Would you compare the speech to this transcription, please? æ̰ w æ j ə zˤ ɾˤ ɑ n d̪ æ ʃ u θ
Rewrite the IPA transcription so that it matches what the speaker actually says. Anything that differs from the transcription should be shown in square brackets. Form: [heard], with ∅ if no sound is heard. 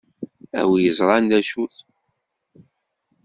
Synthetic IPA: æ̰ w [i] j ə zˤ ɾˤ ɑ n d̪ æ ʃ u θ